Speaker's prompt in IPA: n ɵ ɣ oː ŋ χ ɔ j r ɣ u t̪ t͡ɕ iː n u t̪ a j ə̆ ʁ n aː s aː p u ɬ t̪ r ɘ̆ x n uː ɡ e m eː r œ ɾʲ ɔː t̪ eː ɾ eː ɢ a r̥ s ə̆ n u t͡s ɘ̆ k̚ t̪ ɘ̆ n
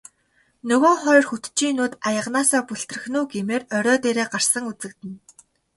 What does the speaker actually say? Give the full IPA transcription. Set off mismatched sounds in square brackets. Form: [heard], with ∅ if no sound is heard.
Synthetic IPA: n ɵ ɣ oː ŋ χ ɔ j r [x] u t̪ t͡ɕ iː n [uː] t̪ a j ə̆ ʁ n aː s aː p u ɬ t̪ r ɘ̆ x n uː ɡ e m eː r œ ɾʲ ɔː t̪ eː ɾ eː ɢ a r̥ s ə̆ [ŋ] u t͡s ɘ̆ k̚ t̪ ɘ̆ n